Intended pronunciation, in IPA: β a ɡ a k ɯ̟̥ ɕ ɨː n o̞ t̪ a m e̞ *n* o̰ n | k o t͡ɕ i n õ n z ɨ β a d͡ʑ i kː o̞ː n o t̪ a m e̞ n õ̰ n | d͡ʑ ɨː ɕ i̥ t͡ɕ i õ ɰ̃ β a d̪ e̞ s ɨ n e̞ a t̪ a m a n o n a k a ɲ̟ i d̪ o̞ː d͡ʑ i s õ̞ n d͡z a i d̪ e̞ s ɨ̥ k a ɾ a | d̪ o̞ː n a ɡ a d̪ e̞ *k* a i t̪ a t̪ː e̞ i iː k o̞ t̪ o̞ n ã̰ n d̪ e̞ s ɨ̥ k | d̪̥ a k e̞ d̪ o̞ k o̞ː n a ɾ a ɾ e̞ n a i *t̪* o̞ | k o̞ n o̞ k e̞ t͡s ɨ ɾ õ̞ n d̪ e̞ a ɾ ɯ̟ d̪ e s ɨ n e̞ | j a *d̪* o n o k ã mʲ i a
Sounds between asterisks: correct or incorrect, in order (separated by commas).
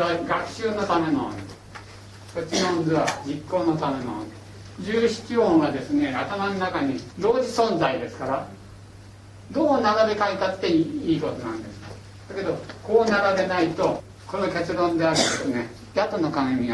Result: correct, correct, correct, incorrect